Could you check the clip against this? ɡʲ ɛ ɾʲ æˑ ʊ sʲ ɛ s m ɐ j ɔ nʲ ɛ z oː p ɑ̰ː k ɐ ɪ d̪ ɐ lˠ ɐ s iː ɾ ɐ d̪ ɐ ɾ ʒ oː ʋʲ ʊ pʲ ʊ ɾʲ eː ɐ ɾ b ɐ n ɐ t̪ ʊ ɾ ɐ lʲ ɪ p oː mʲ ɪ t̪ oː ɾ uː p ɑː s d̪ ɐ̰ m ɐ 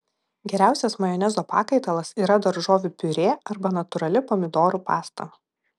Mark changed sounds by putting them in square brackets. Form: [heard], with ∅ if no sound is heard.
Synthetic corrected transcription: ɡʲ ɛ ɾʲ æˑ ʊ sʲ ɛ s m ɐ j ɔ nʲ ɛ z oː p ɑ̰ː k ɐ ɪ [t̪] ɐ lˠ ɐ s iː ɾ ɐ d̪ ɐ ɾ ʒ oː ʋʲ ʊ pʲ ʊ ɾʲ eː ɐ ɾ b ɐ n ɐ t̪ ʊ ɾ ɐ lʲ ɪ p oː mʲ ɪ [d̪] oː ɾ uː p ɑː s [t̪] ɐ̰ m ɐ

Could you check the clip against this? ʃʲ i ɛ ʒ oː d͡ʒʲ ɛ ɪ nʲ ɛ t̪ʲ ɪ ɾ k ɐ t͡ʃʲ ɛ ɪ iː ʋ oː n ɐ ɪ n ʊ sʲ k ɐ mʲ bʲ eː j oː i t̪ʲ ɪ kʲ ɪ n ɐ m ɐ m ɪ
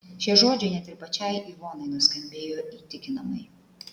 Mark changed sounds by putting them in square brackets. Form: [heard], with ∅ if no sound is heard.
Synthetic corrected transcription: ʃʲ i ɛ ʒ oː d͡ʒʲ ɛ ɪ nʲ ɛ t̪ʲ ɪ ɾ [p] ɐ t͡ʃʲ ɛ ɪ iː ʋ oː n ɐ ɪ n ʊ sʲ k ɐ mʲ bʲ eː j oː i t̪ʲ ɪ kʲ ɪ n ɐ m ɐ [∅] ɪ

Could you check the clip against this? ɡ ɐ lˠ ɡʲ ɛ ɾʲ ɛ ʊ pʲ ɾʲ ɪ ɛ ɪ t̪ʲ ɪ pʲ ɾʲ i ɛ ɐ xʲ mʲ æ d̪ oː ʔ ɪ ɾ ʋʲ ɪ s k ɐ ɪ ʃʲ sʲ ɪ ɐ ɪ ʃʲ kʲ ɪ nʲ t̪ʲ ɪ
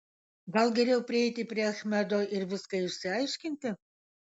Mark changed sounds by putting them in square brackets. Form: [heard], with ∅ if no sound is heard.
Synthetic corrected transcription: ɡ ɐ lˠ ɡʲ ɛ ɾʲ ɛ ʊ pʲ ɾʲ ɪ ɛ ɪ t̪ʲ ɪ pʲ ɾʲ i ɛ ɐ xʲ mʲ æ d̪ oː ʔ ɪ ɾ ʋʲ ɪ s k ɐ ɪ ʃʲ sʲ ɪ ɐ ɪ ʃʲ kʲ ɪ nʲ t̪ʲ ɪ

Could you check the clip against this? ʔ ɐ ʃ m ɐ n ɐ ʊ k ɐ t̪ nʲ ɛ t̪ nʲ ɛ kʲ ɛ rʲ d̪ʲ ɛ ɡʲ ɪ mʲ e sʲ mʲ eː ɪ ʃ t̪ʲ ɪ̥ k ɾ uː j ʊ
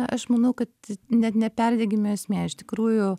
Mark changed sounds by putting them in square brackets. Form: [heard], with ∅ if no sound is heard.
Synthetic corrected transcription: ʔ ɐ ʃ m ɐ n ɐ ʊ k ɐ t̪ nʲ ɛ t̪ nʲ ɛ [pʲ] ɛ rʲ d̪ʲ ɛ ɡʲ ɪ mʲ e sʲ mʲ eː ɪ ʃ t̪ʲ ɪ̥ k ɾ uː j ʊ

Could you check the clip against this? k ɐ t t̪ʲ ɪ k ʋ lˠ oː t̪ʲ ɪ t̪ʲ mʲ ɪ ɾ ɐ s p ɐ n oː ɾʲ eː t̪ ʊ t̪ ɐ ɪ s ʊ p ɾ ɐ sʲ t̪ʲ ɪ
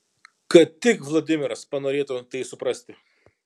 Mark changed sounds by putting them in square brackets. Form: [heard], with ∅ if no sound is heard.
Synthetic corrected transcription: k ɐ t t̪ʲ ɪ k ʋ lˠ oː [d̪ʲ] ɪ [∅] mʲ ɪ ɾ ɐ s p ɐ n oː ɾʲ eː t̪ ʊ t̪ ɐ ɪ s ʊ p ɾ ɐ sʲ t̪ʲ ɪ

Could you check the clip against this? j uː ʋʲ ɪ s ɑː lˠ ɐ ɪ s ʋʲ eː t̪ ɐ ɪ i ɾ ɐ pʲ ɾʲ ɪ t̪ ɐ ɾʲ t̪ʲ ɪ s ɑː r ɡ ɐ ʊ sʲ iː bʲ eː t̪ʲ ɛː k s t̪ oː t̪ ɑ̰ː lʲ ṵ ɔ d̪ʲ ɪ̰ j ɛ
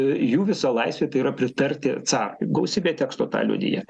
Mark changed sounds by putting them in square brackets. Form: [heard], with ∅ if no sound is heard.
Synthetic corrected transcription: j uː ʋʲ ɪ s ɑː lˠ ɐ ɪ s ʋʲ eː t̪ ɐ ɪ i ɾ ɐ pʲ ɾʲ ɪ t̪ ɐ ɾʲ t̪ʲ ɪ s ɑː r ɡ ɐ ʊ sʲ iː bʲ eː t̪ʲ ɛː k s t̪ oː t̪ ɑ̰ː lʲ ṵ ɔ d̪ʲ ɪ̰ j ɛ

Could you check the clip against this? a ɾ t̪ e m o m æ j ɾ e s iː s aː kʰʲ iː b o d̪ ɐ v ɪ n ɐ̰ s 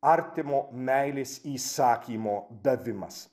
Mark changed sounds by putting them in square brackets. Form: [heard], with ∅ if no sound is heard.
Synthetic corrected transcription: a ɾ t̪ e m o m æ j [l] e s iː s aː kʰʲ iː [m] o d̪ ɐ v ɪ [m] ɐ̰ s

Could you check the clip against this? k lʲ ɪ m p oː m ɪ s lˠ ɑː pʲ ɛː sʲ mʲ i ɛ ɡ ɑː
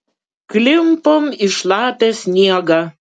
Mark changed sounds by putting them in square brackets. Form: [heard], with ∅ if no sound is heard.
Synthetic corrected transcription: k lʲ ɪ m p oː m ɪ [ʃ] lˠ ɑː pʲ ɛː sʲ [nʲ] i ɛ ɡ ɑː

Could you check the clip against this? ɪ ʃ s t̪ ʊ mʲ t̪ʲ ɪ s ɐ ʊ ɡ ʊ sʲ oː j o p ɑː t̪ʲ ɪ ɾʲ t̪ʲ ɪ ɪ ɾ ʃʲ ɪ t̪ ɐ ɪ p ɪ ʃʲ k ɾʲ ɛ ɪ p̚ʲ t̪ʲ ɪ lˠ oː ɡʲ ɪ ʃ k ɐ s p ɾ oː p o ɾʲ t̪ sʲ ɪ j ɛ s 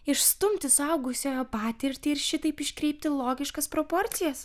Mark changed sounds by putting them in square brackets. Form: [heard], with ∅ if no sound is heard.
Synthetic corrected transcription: ɪ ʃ s t̪ ʊ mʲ t̪ʲ ɪ s ɐ ʊ ɡ ʊ sʲ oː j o p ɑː t̪ʲ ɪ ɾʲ t̪ʲ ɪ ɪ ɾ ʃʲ ɪ t̪ ɐ ɪ p ɪ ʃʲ k ɾʲ ɛ ɪ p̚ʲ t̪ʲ ɪ lˠ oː ɡʲ ɪ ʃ k ɐ s p ɾ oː p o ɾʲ t̪ sʲ ɪ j ɛ s

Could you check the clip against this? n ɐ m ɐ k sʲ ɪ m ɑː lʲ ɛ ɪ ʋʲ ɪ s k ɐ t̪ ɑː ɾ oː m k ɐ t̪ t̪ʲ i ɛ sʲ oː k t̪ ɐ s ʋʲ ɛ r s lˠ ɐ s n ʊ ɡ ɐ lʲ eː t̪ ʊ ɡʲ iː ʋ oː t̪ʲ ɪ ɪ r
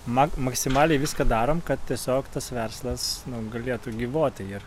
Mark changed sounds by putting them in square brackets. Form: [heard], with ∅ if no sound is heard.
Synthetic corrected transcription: [m] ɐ m ɐ k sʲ ɪ m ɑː lʲ ɛ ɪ ʋʲ ɪ s k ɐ [d̪] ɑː ɾ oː m k ɐ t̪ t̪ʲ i ɛ sʲ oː k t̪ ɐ s ʋʲ ɛ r s lˠ ɐ s n ʊ ɡ ɐ lʲ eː t̪ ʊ ɡʲ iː ʋ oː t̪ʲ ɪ ɪ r

